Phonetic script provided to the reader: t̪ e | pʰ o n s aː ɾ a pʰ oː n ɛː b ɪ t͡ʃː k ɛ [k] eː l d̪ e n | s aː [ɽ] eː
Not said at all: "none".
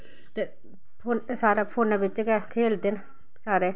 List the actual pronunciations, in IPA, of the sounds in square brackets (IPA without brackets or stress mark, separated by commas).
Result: kʰ, ɾ